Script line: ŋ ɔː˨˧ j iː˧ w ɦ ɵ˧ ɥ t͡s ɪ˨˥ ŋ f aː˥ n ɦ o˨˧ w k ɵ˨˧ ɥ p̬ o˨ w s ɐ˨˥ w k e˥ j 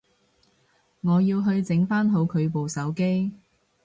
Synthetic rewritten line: ŋ ɔː˨˧ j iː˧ w ɦ ɵ˧ ɥ t͡s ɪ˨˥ ŋ f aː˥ n ɦ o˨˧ w kʰ ɵ˨˧ ɥ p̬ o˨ w s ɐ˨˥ w k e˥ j